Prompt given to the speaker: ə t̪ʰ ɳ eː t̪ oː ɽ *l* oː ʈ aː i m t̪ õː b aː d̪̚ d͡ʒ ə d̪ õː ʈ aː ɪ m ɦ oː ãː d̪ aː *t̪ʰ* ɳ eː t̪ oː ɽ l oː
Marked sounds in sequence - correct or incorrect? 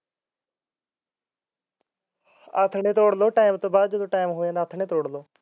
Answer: correct, correct

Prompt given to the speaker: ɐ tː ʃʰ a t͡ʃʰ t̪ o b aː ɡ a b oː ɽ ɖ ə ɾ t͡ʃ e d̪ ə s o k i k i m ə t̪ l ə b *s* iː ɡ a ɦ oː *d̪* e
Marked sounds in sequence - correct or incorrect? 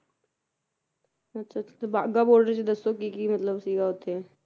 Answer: correct, incorrect

